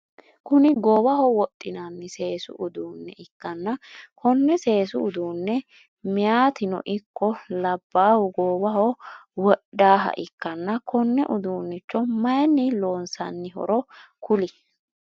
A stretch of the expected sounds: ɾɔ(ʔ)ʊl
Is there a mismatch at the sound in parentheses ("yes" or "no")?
yes